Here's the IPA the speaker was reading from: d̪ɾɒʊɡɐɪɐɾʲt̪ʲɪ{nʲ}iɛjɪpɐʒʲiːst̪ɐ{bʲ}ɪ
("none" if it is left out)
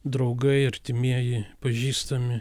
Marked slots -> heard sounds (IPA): mʲ, mʲ

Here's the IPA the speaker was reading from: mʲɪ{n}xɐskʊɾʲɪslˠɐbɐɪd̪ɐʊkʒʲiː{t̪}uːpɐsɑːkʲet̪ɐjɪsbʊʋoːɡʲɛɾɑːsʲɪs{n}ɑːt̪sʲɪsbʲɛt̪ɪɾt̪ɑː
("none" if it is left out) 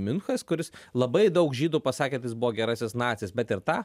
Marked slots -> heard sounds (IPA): n, d̪, n

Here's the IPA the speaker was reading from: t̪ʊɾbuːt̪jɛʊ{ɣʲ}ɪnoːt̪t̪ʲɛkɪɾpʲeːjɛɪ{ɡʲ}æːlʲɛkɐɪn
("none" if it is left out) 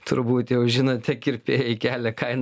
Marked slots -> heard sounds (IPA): ʒʲ, kʲ

